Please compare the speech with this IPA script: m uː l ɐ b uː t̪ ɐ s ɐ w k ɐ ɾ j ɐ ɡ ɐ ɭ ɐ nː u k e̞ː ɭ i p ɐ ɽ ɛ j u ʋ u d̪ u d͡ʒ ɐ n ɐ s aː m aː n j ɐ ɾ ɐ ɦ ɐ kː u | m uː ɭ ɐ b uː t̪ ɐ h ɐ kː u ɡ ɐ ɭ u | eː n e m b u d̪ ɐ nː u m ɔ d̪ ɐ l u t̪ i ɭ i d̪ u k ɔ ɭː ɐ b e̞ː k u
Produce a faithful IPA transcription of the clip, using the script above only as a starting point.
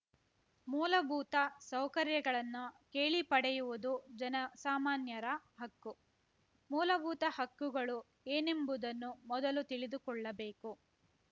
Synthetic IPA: m uː l ɐ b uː t̪ ɐ s ɐ w k ɐ ɾ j ɐ ɡ ɐ ɭ ɐ nː u k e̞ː ɭ i p ɐ ɽ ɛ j u ʋ u d̪ u d͡ʒ ɐ n ɐ s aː m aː n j ɐ ɾ ɐ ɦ ɐ kː u | m uː l ɐ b uː t̪ ɐ h ɐ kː u ɡ ɐ ɭ u | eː n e m b u d̪ ɐ nː u m ɔ d̪ ɐ l u t̪ i ɭ i d̪ u k ɔ ɭː ɐ b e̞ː k u